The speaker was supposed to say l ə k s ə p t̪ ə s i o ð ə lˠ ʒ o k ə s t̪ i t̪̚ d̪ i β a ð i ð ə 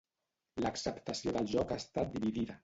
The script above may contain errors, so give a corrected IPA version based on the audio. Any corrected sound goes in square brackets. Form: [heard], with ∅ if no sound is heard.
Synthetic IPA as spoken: l ə k s ə p t̪ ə s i o ð ə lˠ ʒ [ɔ] k [a] s t̪ [a] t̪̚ d̪ i β [i] ð i ð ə